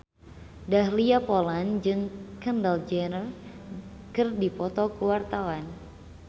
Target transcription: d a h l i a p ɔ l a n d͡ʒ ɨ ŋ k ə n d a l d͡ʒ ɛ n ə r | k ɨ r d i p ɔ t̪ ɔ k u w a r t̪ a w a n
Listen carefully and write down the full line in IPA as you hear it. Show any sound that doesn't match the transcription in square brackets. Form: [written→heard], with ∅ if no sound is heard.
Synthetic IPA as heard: d a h l i a p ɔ l a n d͡ʒ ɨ ŋ k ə n d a l d͡ʒ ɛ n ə r | k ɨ r d i p ɔ t̪ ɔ k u w a r t̪ a w a n